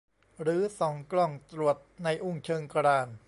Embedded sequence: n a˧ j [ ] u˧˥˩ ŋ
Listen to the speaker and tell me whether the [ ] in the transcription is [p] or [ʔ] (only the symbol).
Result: ʔ